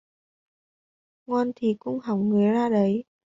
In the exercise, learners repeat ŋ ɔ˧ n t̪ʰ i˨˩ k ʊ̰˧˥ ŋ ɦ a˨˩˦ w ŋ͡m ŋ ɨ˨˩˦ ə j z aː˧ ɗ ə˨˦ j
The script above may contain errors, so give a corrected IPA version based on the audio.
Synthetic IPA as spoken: ŋ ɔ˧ n t̪ʰ i˨˩ k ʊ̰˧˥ ŋ͡m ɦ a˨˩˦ w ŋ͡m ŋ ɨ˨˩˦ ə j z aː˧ ɗ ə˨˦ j